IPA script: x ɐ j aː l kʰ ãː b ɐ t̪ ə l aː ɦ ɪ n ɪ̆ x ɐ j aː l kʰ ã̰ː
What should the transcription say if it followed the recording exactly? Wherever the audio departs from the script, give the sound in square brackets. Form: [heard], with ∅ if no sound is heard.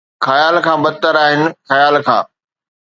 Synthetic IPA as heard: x ɐ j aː l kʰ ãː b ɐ t̪ ə [ɾ] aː ɦ ɪ n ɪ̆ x ɐ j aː l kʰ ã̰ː